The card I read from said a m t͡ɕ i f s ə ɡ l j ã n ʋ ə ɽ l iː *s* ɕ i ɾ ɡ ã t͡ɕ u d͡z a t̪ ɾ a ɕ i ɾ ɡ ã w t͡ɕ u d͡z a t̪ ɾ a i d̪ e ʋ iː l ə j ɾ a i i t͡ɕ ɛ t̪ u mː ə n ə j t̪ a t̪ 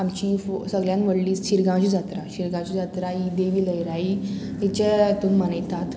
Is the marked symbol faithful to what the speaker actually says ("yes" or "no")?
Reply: yes